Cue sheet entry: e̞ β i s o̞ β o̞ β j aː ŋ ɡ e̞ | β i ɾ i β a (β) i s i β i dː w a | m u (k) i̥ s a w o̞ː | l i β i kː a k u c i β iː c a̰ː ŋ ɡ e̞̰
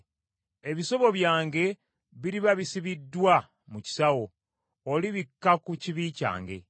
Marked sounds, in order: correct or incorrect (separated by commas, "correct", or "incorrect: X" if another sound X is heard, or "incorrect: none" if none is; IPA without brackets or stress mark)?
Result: correct, incorrect: c